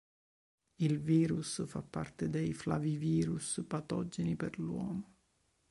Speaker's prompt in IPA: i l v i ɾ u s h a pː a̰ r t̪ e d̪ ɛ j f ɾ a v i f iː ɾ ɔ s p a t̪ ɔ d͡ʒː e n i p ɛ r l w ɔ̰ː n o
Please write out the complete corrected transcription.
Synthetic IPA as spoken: i l v iː ɾ u s f a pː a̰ r t̪ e d̪ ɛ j f l a v i v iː ɾ u s p a t̪ ɔ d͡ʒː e n i p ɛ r l w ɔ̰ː m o